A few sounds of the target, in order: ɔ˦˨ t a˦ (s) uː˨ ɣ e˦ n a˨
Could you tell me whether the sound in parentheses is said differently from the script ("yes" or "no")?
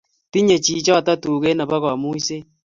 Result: yes